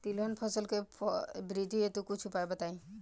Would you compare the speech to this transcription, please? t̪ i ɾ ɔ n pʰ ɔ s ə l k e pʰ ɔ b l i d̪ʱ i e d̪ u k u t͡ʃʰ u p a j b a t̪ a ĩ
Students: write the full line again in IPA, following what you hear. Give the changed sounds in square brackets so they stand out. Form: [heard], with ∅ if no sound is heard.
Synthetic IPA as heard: t̪ i [l] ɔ n pʰ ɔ s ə l k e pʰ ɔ b [ɾ] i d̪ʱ i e [t̪] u k u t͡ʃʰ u p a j b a t̪ a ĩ